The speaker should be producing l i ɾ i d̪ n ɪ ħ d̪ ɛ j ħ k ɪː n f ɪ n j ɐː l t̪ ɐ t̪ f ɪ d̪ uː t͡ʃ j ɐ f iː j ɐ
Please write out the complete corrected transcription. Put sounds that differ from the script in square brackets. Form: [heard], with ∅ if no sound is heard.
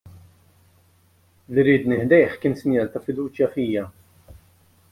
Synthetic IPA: l i ɾ [iː] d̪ n ɪ ħ d̪ ɛ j ħ k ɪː n [s] ɪ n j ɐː l t̪ ɐ [∅] f ɪ d̪ uː t͡ʃ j ɐ f iː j ɐ